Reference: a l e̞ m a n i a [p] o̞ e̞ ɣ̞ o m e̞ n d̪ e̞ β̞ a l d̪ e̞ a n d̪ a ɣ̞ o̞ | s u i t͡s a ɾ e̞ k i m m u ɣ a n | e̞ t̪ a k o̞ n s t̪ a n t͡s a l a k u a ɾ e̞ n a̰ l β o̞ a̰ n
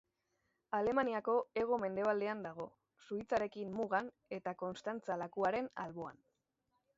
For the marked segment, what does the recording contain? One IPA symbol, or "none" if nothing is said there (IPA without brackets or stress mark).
k